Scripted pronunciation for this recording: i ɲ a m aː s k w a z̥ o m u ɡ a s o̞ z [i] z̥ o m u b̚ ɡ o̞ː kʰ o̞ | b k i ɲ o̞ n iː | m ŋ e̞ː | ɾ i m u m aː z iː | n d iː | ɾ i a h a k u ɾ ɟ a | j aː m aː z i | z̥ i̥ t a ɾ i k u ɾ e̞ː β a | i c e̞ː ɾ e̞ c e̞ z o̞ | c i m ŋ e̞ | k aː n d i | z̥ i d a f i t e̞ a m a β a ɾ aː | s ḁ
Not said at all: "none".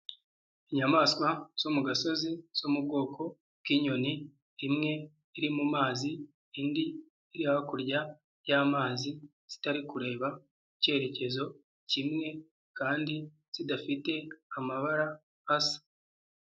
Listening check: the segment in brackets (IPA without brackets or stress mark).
i